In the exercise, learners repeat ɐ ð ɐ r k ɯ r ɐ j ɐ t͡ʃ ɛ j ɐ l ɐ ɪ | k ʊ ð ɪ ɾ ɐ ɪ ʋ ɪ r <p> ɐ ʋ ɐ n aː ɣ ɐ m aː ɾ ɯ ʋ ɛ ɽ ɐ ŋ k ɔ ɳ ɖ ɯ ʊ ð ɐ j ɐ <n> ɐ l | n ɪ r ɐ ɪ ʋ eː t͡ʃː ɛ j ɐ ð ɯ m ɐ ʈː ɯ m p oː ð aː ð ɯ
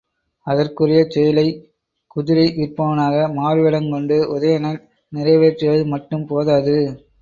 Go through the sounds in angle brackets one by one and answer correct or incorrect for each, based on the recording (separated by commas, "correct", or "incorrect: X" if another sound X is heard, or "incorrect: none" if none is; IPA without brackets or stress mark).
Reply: correct, correct